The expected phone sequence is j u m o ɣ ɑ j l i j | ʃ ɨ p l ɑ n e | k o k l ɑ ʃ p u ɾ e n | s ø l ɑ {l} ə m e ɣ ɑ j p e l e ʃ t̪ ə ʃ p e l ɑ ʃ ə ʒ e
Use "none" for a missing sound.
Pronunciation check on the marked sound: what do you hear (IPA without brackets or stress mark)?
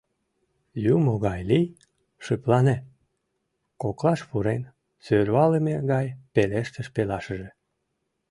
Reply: l